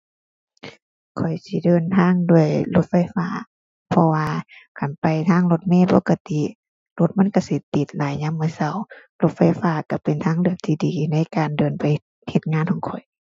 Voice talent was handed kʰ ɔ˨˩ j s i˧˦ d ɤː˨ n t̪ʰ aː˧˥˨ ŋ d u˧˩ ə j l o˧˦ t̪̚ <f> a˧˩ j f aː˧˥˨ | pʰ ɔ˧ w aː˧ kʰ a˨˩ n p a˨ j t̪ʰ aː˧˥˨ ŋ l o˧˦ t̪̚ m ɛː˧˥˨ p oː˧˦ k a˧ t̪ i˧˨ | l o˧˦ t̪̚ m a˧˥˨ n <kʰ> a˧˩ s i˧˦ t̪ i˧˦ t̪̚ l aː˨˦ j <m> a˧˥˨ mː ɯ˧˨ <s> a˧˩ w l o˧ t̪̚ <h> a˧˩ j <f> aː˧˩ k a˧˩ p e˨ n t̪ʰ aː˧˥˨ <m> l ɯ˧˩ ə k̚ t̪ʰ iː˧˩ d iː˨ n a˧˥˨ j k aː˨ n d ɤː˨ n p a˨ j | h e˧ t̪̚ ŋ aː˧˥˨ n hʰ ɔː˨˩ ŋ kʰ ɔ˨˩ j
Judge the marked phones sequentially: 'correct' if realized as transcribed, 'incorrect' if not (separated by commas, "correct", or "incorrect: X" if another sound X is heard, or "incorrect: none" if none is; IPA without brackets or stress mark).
correct, incorrect: k, incorrect: ɲ, correct, incorrect: f, correct, incorrect: ŋ